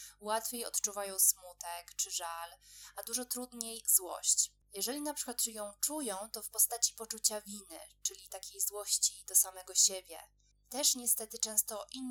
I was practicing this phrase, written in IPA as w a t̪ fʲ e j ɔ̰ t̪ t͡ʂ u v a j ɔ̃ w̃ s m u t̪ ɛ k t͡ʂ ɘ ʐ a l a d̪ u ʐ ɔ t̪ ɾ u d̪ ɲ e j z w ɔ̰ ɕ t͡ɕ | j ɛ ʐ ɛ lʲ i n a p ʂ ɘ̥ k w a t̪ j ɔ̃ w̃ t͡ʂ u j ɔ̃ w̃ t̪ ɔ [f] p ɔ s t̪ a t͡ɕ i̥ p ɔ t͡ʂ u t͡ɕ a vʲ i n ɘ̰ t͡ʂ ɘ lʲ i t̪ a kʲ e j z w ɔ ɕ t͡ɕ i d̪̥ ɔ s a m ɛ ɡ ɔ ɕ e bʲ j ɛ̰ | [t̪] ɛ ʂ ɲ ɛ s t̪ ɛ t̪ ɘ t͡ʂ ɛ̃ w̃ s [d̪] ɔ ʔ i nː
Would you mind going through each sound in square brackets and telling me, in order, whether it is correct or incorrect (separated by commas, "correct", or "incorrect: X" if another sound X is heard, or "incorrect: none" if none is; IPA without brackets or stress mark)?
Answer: correct, correct, incorrect: t̪